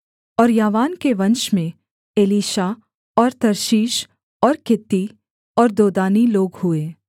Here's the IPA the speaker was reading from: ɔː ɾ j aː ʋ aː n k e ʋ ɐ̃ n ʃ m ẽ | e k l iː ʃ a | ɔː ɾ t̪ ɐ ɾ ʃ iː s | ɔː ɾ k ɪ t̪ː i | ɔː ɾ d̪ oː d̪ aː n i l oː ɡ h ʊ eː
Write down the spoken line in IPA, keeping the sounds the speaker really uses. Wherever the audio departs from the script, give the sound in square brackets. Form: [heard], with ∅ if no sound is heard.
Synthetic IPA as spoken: ɔː ɾ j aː ʋ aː n k e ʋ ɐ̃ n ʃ m ẽ | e [∅] l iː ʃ a | ɔː ɾ t̪ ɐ ɾ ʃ iː [ʃ] | ɔː ɾ k ɪ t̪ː i | ɔː ɾ d̪ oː d̪ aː n i l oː ɡ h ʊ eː